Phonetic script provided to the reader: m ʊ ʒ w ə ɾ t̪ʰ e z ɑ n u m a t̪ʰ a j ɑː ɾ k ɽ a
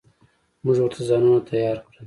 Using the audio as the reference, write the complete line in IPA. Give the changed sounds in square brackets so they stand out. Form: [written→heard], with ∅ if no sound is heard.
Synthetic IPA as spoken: m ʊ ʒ w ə ɾ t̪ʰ [e→a] z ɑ n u [m→n] a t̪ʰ a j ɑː ɾ k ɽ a